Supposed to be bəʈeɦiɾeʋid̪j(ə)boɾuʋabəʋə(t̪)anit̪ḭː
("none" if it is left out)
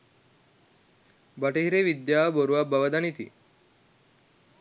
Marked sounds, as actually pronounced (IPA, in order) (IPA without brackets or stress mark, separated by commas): a, d̪